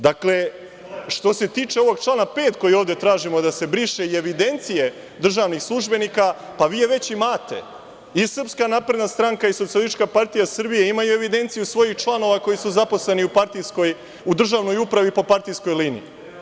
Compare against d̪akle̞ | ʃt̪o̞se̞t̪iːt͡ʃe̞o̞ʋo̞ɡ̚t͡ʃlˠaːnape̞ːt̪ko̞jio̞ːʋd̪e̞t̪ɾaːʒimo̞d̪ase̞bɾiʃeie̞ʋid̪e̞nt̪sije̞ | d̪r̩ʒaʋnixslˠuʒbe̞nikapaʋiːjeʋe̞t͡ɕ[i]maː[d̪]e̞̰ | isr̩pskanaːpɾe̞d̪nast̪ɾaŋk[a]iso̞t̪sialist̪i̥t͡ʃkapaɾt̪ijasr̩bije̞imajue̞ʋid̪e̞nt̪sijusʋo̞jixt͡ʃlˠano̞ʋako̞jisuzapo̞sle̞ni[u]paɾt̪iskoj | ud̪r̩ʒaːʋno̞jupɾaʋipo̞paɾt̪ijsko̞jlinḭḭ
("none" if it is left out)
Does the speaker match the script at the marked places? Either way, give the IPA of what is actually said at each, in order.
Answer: i, t̪, a, u

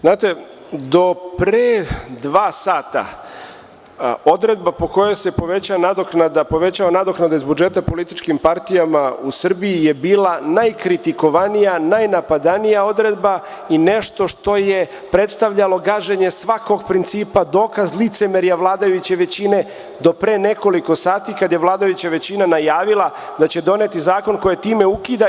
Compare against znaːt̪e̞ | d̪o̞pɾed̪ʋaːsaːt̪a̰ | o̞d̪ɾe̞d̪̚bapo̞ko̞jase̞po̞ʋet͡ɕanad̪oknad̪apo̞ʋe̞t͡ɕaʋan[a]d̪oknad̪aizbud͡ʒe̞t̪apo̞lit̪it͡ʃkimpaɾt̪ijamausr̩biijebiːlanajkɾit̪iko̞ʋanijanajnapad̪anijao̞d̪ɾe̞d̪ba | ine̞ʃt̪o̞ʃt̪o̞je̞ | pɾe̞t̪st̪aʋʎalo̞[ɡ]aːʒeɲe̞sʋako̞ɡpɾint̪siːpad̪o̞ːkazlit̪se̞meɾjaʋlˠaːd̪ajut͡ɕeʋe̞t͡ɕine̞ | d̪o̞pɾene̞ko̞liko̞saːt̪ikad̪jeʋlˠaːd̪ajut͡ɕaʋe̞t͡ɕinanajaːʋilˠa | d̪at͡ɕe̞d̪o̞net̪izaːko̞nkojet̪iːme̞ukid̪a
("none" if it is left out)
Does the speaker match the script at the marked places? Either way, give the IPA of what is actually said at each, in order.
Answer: a, ɡ

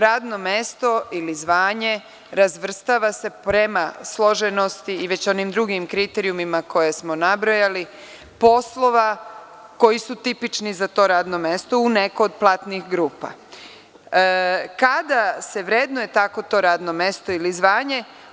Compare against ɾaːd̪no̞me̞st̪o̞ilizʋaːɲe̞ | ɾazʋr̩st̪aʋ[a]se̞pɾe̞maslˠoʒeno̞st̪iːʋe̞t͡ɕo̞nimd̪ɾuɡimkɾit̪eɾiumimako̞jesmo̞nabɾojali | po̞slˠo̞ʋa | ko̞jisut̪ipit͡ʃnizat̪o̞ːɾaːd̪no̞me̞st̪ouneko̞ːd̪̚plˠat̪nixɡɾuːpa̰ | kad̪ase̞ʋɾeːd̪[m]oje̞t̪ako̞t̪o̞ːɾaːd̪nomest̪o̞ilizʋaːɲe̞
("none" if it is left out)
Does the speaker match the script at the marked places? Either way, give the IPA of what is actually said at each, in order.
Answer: a, n

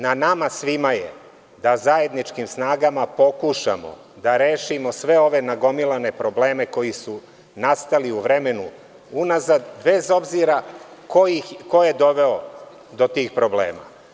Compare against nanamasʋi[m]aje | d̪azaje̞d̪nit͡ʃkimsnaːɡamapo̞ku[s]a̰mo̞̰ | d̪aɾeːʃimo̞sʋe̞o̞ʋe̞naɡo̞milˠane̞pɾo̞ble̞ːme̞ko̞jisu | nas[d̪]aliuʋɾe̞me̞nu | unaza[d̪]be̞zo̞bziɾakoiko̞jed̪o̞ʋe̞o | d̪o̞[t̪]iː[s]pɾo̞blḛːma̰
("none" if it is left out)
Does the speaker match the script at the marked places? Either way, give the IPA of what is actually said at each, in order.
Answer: m, ʃ, t̪, d̪, t̪, x

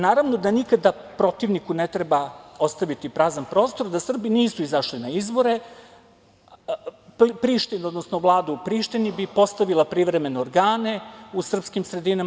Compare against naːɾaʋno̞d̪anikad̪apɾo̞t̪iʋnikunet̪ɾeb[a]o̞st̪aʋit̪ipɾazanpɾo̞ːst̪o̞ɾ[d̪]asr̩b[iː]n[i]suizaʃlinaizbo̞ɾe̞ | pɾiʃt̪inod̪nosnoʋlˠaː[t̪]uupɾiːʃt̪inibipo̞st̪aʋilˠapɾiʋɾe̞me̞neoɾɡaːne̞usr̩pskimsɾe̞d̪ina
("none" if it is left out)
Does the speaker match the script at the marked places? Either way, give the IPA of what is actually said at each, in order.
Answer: a, d̪, i, iː, d̪

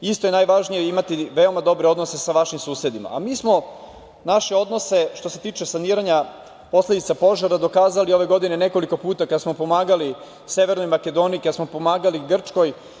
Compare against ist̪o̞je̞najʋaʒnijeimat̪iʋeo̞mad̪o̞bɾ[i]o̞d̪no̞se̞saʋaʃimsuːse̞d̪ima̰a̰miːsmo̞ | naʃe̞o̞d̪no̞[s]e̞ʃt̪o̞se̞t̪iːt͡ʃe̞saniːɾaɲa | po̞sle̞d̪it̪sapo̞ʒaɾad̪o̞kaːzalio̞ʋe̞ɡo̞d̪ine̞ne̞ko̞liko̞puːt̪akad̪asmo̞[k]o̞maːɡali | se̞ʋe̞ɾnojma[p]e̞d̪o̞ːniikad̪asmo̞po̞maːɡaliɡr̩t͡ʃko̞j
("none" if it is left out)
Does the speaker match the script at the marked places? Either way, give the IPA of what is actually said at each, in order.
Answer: e, s, p, k

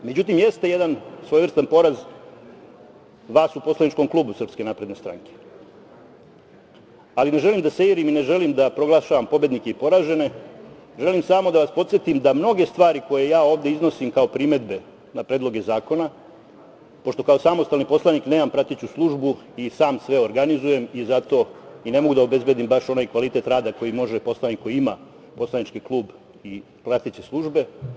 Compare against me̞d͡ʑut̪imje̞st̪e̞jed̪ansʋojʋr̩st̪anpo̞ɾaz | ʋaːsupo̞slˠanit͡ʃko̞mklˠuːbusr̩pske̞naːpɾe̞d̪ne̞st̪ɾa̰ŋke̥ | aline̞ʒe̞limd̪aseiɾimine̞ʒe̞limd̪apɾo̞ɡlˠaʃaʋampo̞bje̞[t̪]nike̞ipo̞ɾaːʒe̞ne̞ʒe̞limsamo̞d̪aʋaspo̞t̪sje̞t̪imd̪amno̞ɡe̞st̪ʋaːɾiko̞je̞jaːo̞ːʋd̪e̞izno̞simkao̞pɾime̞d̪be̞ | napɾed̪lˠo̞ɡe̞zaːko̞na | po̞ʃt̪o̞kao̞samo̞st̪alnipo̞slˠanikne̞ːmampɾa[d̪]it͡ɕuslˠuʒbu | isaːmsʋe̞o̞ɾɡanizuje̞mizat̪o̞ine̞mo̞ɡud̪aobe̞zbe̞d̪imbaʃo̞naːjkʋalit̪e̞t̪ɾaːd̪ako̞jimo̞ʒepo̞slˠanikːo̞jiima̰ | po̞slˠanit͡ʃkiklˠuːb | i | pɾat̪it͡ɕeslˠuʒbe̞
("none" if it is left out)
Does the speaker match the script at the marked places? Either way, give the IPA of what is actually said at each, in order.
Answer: d̪, t̪

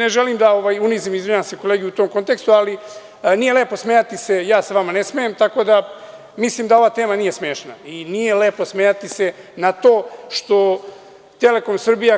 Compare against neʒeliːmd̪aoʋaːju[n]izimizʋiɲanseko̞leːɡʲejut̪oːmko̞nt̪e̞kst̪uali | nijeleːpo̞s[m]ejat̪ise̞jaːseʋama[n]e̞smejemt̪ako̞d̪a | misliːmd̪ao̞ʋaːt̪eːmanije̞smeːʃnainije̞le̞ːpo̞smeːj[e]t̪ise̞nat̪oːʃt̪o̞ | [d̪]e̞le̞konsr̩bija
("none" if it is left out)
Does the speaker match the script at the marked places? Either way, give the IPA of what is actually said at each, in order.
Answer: n, m, n, a, t̪

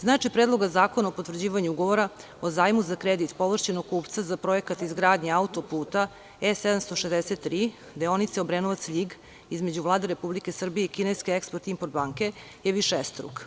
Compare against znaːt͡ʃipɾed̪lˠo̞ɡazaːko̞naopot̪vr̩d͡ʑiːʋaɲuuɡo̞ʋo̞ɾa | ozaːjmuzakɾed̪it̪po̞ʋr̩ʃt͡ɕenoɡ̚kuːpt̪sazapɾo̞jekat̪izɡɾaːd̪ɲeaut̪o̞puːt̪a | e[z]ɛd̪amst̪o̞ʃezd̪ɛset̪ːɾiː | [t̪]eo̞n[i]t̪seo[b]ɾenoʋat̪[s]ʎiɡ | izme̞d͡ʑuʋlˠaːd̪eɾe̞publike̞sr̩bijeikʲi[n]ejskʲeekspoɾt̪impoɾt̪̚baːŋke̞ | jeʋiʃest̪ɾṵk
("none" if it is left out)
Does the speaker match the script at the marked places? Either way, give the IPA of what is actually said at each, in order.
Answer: s, d̪, i, b, s, n

